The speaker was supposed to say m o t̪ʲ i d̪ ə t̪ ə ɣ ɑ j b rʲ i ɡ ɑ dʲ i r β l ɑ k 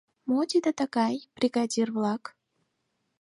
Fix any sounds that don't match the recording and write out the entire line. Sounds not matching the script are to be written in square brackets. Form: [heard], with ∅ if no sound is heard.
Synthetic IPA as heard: m o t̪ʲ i d̪ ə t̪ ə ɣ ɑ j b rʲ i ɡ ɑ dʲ i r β l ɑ k